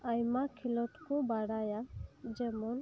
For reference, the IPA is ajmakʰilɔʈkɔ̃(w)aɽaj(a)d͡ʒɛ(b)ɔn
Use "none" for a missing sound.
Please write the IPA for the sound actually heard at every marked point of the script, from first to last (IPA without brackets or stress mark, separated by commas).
b, a, m